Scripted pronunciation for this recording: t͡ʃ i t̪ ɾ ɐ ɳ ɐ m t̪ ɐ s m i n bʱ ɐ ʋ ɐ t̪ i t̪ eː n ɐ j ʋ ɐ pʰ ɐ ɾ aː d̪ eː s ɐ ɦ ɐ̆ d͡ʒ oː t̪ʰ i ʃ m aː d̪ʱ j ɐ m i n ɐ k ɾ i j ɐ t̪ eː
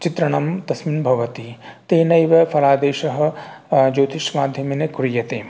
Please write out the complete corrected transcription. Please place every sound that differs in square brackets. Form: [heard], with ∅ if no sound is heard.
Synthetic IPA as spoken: t͡ʃ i t̪ ɾ ɐ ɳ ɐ m t̪ ɐ s m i n bʱ ɐ ʋ ɐ t̪ i t̪ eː n ɐ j ʋ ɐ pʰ ɐ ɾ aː d̪ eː [ʃ] ɐ ɦ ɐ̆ d͡ʒ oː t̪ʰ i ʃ m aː d̪ʱ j ɐ m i n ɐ k ɾ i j ɐ t̪ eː